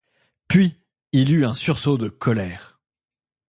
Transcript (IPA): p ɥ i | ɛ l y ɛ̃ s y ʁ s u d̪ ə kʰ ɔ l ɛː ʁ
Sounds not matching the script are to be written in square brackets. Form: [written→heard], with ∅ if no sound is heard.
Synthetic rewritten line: p ɥ i | [ɛ→i] l y ɛ̃ s y ʁ s [u→o] d̪ ə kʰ ɔ l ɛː ʁ